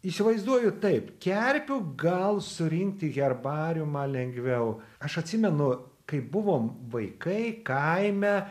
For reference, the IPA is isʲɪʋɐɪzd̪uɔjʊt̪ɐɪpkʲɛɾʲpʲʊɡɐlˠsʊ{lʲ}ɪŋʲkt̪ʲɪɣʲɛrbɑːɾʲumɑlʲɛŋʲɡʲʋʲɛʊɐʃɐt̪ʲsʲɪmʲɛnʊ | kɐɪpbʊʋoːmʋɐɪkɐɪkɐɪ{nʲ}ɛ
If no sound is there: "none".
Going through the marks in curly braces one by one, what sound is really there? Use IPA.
ɾʲ, mʲ

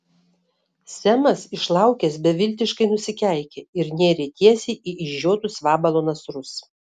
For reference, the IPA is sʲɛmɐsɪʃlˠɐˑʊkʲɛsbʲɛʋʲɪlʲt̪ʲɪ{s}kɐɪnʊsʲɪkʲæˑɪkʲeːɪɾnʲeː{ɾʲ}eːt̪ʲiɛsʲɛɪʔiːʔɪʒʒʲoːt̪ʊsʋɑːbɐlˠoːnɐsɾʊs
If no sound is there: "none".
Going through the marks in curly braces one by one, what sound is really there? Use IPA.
ʃ, ɾʲ

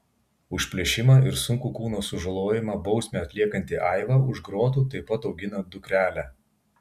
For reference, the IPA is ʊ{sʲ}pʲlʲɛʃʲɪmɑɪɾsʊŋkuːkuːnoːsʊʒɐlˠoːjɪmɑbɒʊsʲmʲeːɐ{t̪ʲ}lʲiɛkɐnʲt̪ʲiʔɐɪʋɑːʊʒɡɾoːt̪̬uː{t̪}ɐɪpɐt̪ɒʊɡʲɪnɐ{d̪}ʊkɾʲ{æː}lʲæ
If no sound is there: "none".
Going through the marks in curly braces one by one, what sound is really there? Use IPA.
ʃʲ, t̪ʲ, t̪, d̪, æː

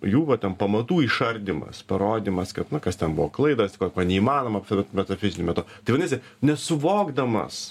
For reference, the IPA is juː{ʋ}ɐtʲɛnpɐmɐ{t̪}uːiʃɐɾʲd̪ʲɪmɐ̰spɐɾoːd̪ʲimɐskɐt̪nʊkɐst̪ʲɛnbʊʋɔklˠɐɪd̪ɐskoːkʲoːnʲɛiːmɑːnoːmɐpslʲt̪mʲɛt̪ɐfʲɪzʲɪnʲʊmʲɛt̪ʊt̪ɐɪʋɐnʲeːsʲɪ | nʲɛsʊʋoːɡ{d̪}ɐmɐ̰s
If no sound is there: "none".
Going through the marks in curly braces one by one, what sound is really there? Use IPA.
ʋ, t̪, d̪

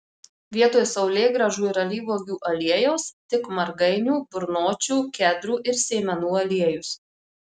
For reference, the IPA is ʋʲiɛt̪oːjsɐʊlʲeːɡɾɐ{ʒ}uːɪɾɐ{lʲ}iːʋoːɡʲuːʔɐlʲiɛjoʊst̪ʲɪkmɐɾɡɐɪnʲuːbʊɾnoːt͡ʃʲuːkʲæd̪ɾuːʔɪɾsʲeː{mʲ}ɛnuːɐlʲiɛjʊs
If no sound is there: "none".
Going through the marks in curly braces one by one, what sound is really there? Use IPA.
ʒ, lʲ, mʲ

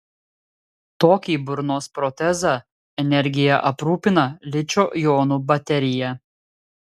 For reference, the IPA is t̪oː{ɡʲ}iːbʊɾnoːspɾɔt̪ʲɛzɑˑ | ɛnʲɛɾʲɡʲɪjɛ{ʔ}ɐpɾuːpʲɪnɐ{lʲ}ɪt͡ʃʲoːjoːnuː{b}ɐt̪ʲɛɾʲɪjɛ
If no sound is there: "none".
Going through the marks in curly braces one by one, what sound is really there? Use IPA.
kʲ, ʔ, lʲ, b

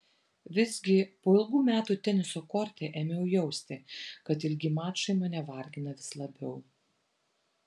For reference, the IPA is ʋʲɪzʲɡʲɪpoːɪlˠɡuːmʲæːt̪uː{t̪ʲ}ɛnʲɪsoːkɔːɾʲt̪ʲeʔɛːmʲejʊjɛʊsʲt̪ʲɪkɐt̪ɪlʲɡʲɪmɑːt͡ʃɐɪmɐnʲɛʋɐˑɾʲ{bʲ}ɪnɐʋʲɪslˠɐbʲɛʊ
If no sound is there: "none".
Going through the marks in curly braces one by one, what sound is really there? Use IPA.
t̪ʲ, ɡʲ

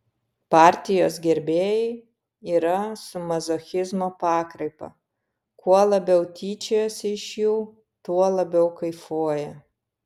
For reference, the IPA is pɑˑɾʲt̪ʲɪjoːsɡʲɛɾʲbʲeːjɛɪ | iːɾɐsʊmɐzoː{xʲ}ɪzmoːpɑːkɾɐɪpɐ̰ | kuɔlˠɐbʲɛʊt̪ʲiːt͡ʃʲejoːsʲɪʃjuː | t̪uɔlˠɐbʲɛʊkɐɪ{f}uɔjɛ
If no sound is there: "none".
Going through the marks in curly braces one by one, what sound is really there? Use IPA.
xʲ, f

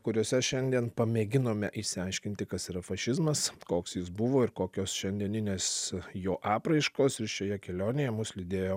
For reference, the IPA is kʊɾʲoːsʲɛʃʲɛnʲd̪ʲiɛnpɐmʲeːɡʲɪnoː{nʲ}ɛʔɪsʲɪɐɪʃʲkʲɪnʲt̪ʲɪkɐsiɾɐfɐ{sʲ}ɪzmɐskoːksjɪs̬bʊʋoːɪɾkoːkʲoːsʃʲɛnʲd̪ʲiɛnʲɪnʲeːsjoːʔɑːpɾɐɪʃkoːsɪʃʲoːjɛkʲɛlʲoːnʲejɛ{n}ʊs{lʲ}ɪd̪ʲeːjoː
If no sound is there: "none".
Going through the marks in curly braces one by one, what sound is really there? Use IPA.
mʲ, ʃʲ, m, lʲ

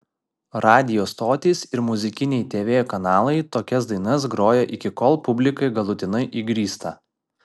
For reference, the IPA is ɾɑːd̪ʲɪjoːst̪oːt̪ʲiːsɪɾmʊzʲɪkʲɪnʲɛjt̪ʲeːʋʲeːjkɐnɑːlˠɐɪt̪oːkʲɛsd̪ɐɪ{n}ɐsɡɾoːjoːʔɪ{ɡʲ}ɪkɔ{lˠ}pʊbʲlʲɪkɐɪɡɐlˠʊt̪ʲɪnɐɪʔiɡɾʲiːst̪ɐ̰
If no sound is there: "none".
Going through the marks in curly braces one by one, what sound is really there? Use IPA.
n, kʲ, lˠ

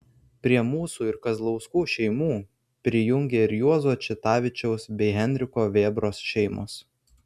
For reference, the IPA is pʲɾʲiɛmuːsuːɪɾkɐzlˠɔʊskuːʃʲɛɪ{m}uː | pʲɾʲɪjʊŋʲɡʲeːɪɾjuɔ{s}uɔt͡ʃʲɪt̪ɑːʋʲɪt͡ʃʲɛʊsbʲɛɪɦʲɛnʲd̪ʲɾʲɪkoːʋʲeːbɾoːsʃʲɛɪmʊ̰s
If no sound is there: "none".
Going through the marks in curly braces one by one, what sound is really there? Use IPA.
m, z

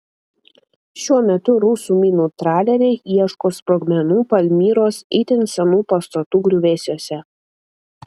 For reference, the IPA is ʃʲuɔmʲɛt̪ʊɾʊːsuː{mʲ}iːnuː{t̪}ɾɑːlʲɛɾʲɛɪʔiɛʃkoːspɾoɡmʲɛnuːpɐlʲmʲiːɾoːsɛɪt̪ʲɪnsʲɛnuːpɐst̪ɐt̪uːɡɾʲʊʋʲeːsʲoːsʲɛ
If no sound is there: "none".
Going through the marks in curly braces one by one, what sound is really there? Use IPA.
mʲ, t̪

